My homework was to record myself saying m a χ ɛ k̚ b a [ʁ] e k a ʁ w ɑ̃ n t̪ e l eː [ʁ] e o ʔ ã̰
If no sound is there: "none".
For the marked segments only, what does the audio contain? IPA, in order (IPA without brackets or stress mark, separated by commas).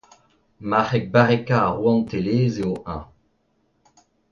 ʁ, z